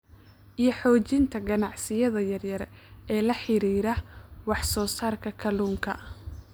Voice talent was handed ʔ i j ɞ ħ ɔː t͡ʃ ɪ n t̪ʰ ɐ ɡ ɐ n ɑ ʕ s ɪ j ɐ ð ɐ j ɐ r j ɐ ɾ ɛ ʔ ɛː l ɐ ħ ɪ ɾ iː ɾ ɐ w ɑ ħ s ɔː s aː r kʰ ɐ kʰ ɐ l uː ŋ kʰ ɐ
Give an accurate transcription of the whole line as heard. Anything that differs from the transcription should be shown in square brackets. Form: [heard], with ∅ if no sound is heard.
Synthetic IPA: ʔ i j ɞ ħ ɔː t͡ʃ ɪ n t̪ʰ ɐ ɡ ɐ n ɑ ʕ s ɪ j ɐ ð ɐ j ɐ r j ɐ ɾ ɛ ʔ ɛː l ɐ ħ ɪ ɾ iː ɾ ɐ w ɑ ħ s ɔː s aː r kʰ ɐ kʰ ɐ l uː ŋ kʰ ɐ